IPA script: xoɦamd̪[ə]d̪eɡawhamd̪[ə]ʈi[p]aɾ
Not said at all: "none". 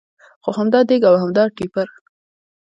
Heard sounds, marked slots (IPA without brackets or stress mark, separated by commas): ɑ, ɑ, p